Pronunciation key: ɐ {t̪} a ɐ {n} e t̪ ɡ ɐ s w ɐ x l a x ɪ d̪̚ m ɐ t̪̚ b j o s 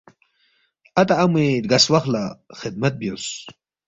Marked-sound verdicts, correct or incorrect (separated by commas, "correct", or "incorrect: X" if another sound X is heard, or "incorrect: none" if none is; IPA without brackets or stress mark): correct, incorrect: m